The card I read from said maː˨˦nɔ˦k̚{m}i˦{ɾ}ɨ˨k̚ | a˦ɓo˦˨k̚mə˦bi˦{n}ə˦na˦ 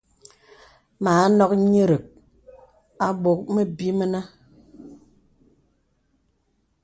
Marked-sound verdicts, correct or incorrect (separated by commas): incorrect, correct, incorrect